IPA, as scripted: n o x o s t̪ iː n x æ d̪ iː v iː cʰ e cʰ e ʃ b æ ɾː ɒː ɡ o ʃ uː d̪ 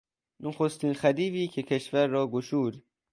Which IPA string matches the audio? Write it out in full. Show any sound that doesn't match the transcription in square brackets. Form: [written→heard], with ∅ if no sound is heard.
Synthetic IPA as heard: n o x o s t̪ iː n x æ d̪ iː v iː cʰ e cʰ e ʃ [b→v] æ ɾː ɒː ɡ o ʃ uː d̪